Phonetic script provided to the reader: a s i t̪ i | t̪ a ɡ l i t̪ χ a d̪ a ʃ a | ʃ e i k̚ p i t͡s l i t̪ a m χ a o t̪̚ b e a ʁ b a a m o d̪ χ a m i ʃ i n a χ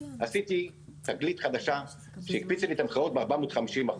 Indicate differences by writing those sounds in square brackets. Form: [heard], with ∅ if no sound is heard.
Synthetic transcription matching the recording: a s i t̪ i | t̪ a ɡ l i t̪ χ a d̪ a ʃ a | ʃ e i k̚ p i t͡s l i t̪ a m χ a o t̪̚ b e a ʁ b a a m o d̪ χ a m i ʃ i [m] a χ